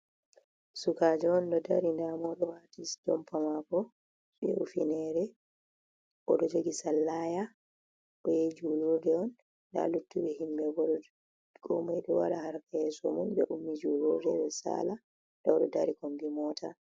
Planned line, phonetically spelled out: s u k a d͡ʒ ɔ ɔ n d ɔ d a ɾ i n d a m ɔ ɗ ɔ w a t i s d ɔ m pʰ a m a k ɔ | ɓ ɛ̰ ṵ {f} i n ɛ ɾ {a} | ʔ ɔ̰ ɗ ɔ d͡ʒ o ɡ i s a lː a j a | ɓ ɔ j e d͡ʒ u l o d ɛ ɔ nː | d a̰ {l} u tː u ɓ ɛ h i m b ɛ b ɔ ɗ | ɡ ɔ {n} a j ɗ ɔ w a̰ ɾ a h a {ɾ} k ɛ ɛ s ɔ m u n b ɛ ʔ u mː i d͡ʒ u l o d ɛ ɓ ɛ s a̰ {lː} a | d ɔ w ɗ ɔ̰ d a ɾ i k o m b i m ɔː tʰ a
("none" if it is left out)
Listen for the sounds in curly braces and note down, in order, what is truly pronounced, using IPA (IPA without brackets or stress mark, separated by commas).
f, ɛ, l, m, ɾ, l